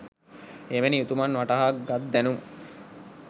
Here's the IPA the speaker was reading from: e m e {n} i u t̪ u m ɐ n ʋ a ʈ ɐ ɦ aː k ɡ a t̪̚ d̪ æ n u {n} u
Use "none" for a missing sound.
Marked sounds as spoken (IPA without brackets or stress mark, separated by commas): n, m